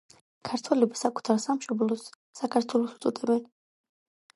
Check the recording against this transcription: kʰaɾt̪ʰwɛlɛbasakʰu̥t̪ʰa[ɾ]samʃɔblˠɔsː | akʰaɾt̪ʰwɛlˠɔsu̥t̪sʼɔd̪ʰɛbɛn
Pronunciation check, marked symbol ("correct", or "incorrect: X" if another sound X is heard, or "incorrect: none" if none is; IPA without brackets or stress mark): correct